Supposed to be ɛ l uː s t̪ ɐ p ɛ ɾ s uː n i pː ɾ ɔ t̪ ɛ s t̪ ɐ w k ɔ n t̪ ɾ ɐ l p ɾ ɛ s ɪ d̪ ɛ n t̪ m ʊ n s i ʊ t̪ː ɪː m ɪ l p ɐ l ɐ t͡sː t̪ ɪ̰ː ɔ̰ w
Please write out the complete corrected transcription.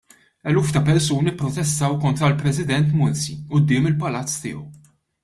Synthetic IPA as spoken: ɛ l uː f t̪ ɐ p ɛ ɾ s uː n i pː ɾ ɔ t̪ ɛ s t̪ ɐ w k ɔ n t̪ ɾ ɐ l p ɾ ɛ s ɪ d̪ ɛ n t̪ m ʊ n s i ʊ d̪ː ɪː m ɪ l p ɐ l ɐ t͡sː t̪ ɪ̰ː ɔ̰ w